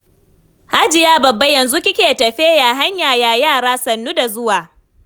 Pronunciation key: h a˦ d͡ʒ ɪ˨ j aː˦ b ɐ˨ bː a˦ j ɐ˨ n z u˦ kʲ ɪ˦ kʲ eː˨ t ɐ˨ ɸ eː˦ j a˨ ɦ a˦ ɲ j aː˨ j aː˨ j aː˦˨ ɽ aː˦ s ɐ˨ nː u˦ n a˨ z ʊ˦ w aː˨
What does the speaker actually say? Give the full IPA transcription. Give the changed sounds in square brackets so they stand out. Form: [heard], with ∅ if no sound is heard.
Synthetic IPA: h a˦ d͡ʒ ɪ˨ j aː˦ b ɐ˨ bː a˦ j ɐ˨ n z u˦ kʲ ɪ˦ kʲ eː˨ t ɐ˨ ɸ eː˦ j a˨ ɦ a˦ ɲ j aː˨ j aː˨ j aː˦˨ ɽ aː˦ s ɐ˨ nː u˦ [d] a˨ z ʊ˦ w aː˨